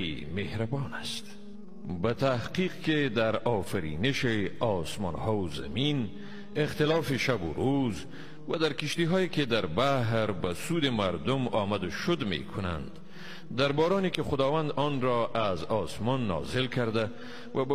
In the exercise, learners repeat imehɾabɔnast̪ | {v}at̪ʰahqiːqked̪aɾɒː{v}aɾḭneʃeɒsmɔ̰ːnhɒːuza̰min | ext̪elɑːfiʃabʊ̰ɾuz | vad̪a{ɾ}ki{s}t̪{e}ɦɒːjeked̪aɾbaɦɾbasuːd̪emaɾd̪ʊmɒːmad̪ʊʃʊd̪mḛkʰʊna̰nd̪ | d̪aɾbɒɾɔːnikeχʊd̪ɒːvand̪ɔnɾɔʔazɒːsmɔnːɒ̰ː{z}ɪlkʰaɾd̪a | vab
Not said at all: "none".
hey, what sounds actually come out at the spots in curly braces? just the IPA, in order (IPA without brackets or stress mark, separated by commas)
b, f, ɾ, ʃ, i, z